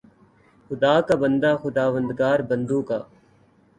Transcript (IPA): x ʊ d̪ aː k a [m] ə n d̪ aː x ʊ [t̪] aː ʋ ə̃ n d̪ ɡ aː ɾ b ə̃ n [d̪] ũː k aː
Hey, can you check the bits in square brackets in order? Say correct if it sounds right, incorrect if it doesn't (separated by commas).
incorrect, incorrect, correct